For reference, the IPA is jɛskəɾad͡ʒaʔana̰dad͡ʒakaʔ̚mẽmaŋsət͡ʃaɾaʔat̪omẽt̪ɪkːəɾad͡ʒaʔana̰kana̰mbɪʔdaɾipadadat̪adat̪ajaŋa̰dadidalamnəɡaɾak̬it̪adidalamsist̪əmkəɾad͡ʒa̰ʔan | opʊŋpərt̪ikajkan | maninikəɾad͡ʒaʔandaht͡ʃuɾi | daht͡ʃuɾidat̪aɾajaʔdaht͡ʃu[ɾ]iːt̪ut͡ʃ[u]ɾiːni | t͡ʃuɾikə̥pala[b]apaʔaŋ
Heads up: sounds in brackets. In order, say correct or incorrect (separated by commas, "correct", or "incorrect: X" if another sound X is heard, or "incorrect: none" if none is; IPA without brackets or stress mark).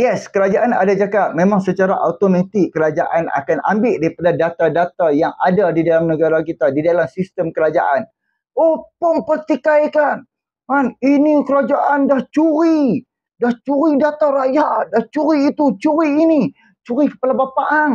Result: correct, correct, correct